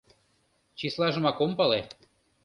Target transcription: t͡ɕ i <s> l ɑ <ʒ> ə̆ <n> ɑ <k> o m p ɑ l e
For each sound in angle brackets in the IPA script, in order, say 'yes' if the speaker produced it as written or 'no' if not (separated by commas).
yes, yes, no, yes